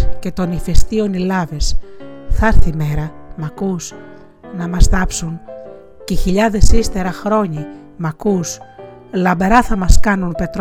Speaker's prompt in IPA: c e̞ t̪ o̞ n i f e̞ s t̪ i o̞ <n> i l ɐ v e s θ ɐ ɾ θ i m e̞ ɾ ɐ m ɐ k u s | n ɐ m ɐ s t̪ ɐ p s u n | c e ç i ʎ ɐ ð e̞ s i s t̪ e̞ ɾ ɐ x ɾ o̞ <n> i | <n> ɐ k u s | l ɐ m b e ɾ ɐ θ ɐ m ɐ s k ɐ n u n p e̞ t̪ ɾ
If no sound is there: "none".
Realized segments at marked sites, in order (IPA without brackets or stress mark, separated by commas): n, ɲ, m